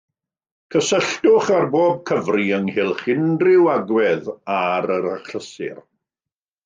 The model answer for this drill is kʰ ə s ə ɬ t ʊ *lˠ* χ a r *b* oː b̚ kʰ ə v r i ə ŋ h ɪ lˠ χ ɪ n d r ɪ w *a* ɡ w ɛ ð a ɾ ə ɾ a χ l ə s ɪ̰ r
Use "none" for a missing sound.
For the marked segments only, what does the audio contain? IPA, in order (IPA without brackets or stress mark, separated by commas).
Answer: none, b, a